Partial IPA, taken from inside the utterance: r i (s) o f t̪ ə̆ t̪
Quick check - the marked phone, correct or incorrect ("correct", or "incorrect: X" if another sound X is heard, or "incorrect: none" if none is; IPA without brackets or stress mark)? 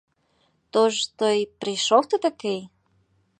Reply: incorrect: ʃ